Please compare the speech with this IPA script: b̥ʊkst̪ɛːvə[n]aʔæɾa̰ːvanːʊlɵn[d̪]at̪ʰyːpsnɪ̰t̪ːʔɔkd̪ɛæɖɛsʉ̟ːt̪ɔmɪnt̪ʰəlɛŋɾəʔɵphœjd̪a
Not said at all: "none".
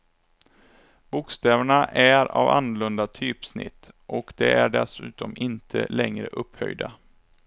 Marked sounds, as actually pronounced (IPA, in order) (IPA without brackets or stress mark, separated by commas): ɳ, d̪